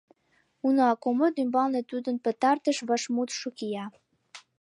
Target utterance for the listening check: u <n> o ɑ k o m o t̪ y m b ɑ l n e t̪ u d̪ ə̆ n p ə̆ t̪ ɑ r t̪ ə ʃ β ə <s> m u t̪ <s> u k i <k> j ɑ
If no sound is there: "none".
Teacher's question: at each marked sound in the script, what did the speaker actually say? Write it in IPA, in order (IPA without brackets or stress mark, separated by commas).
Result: n, ʃ, ʃ, none